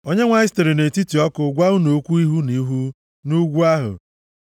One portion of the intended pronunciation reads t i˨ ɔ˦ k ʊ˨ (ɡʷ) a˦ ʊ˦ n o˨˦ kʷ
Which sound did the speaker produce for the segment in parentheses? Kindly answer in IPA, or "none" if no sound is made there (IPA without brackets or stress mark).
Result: ɡʷ